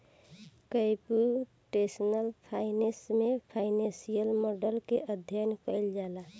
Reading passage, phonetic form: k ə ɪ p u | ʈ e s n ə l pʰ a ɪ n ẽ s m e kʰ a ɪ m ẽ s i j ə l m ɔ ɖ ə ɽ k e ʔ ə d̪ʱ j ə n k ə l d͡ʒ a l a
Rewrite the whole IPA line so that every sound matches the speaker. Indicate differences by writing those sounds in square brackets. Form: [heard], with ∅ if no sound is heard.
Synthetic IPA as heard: k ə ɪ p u | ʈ e s n ə l pʰ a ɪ n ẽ s m e [pʰ] a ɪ [n] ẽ s i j ə l m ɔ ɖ ə [l] k e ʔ ə d̪ʱ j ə n k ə l d͡ʒ a l a